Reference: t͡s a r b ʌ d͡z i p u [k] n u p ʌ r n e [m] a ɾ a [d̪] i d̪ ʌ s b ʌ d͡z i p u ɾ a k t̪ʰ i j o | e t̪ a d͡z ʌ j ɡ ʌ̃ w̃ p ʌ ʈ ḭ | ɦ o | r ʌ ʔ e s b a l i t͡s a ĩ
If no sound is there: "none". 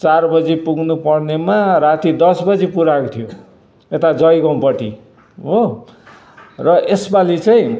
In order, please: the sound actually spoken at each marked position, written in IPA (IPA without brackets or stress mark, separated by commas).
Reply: ɡ, m, t̪